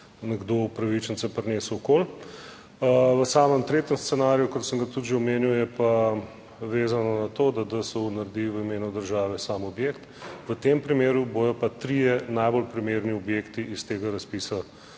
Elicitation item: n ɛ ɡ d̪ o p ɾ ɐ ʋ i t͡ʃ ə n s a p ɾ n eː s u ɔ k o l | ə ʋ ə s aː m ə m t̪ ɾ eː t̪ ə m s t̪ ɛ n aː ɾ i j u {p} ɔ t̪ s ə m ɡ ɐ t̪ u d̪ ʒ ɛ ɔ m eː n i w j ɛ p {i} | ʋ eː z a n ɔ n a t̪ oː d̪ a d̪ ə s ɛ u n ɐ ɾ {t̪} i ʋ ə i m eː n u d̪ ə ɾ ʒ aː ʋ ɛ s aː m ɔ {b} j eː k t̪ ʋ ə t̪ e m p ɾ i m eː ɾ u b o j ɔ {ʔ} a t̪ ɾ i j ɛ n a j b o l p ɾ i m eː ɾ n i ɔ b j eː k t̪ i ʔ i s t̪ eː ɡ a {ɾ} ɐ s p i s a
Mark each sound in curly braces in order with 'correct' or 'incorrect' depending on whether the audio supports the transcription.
incorrect: k, incorrect: a, incorrect: d̪, correct, incorrect: p, correct

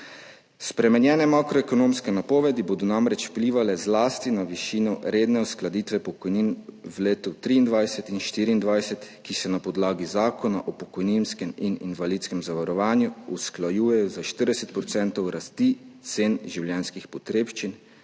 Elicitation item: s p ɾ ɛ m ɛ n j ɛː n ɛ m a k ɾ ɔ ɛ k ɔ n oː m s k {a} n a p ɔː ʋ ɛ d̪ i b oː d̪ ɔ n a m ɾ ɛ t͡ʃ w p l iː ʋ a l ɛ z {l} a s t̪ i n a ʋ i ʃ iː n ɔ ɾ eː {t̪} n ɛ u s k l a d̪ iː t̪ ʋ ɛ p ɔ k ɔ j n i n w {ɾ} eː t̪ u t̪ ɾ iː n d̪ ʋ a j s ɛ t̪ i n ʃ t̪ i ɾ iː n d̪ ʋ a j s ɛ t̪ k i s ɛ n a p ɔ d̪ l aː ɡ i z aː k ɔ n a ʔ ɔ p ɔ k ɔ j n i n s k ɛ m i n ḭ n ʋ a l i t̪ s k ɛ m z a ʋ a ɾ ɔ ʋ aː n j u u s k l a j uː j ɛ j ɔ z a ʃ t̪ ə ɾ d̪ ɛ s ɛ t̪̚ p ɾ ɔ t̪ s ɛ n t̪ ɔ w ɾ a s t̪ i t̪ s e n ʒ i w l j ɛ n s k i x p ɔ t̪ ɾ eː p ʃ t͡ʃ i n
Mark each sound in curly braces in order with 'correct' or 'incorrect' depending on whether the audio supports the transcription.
incorrect: ɛ, correct, incorrect: d̪, incorrect: l

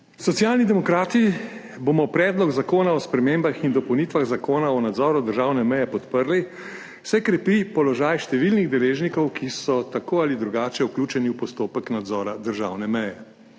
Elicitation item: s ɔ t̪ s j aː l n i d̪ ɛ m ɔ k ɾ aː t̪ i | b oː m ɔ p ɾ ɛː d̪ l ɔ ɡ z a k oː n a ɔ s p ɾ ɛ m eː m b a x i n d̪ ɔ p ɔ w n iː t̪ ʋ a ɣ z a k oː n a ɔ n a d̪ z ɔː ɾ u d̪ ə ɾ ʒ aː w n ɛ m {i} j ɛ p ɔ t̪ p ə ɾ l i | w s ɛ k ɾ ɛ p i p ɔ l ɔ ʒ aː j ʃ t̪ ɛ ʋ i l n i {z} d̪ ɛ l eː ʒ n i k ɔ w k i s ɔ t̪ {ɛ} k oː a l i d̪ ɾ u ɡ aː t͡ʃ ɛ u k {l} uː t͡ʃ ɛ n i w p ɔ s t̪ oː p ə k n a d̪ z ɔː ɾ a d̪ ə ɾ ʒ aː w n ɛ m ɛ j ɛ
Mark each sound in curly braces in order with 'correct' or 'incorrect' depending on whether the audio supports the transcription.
incorrect: ɛ, incorrect: ɣ, incorrect: a, correct

